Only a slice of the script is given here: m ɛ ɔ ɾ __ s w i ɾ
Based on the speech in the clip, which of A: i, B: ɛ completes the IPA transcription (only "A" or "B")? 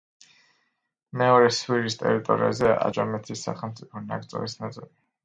B